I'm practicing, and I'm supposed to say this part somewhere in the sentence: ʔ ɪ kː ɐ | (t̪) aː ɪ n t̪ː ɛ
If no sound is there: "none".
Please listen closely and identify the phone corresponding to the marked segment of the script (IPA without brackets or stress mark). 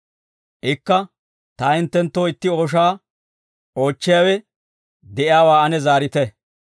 t̪